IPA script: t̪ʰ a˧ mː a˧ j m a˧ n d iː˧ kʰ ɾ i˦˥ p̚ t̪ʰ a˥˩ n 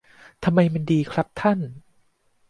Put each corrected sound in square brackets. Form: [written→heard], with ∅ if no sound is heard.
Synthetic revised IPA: t̪ʰ a˧ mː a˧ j m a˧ n d iː˧ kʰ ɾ [i˦˥→a˦˥] p̚ t̪ʰ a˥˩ n